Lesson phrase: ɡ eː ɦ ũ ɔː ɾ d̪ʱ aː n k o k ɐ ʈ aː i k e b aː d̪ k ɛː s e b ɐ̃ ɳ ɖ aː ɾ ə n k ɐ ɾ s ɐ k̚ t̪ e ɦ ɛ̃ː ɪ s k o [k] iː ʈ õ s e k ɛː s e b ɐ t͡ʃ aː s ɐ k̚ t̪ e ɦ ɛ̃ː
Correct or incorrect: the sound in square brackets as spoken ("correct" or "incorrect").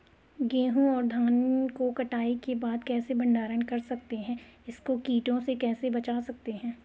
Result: correct